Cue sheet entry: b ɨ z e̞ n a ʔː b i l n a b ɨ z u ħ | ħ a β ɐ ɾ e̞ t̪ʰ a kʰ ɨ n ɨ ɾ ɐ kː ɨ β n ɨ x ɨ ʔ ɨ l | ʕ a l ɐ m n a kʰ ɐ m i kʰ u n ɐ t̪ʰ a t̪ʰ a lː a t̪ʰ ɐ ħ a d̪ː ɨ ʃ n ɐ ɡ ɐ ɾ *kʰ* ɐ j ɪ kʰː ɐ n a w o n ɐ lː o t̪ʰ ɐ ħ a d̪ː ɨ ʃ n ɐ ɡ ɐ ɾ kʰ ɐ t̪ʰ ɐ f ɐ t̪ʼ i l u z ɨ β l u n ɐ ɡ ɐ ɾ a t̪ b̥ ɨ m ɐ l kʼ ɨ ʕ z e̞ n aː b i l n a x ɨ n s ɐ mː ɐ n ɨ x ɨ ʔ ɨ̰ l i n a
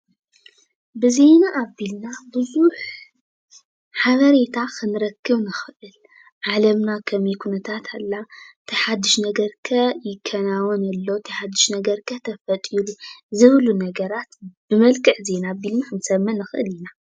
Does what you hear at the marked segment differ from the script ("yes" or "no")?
no